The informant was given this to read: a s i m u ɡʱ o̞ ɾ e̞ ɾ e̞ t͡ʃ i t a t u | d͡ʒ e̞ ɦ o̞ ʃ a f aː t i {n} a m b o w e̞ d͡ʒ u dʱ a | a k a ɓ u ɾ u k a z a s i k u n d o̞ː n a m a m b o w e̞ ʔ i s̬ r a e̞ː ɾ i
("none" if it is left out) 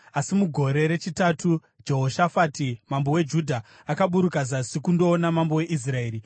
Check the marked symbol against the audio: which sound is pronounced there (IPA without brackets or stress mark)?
m